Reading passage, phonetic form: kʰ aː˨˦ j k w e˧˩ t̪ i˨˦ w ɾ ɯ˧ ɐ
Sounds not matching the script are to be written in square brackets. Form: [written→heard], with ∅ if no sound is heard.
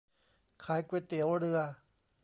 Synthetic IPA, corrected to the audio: kʰ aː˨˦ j k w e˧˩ t̪ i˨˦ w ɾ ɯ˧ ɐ

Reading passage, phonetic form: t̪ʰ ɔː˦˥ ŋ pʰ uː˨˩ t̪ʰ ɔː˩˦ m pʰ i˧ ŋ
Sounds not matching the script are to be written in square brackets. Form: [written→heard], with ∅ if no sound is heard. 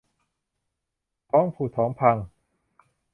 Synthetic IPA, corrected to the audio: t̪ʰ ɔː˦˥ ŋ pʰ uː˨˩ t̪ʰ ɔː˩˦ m pʰ [i˧→a˧] ŋ

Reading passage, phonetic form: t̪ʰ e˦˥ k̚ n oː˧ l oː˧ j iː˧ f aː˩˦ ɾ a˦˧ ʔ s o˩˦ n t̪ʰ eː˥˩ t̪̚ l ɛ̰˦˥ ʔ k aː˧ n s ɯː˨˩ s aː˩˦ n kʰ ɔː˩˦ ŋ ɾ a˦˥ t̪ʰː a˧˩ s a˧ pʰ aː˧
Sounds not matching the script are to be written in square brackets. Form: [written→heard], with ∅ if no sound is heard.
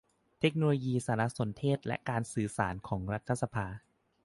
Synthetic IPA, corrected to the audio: t̪ʰ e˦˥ k̚ n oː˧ l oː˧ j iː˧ [f→s] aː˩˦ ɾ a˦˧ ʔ s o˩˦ n t̪ʰ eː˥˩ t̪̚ l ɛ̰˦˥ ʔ k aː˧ n s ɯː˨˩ s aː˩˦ n kʰ ɔː˩˦ ŋ ɾ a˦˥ t̪ʰː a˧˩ s a˧ pʰ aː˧

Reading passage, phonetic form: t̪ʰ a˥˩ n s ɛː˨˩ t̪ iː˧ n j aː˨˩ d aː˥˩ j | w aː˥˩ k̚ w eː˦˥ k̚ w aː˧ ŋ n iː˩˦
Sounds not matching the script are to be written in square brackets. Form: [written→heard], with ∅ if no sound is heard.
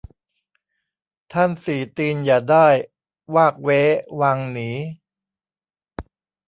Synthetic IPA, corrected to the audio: t̪ʰ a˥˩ n s [ɛː˨˩→iː˨˩] t̪ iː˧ n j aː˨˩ d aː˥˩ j | w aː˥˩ k̚ w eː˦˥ [k̚→∅] w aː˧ ŋ n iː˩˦

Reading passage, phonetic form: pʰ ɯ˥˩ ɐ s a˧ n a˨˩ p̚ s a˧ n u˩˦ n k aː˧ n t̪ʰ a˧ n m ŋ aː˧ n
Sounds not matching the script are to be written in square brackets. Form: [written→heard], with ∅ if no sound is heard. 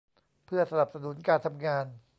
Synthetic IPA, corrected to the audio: pʰ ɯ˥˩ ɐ s a˧ n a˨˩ p̚ s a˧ n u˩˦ n k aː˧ n t̪ʰ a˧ [n→∅] m ŋ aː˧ n

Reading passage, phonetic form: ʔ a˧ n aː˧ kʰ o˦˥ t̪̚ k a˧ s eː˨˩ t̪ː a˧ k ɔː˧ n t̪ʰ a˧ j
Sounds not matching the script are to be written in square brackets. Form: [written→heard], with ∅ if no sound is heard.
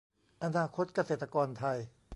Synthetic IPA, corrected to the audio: ʔ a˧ n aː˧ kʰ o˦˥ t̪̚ k a˧ s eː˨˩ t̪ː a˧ k ɔː˧ n t̪ʰ a˧ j

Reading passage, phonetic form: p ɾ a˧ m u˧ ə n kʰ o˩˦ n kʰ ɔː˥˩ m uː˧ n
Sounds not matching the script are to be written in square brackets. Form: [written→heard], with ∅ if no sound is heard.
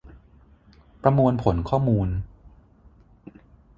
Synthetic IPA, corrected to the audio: p ɾ a˧ m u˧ ə n [kʰ→pʰ] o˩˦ n kʰ ɔː˥˩ m uː˧ n

